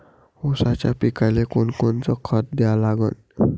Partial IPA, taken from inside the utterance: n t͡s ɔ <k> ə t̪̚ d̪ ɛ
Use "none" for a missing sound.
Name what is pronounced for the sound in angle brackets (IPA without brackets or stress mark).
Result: kʰ